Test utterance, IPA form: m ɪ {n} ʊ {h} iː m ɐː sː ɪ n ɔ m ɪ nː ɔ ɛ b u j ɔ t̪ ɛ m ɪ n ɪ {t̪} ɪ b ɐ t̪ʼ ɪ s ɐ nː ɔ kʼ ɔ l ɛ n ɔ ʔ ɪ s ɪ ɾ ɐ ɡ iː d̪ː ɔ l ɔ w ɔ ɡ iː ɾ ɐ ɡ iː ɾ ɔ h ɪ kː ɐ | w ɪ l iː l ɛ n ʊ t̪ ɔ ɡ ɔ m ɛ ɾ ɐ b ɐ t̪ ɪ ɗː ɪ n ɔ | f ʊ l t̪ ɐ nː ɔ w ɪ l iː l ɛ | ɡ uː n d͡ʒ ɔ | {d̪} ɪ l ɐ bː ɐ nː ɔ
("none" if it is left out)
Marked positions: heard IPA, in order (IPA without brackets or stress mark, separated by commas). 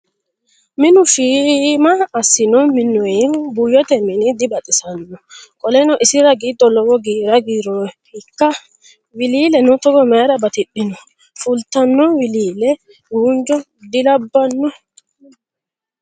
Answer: n, f, d̪, d̪